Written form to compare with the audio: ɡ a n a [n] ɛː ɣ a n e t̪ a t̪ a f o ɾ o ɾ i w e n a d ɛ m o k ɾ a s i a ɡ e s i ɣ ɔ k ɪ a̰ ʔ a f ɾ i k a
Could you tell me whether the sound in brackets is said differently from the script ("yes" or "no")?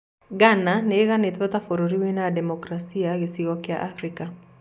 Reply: no